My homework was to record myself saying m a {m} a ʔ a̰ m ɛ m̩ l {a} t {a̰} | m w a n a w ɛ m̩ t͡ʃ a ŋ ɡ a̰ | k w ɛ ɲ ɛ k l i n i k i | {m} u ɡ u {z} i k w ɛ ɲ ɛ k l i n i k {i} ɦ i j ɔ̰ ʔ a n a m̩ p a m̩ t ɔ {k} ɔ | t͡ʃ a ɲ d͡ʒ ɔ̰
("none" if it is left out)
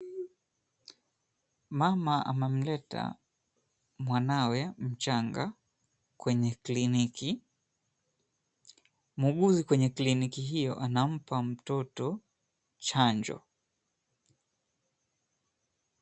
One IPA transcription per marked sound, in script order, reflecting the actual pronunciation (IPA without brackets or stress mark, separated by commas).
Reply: m, ɛ, a̰, m, z, i, t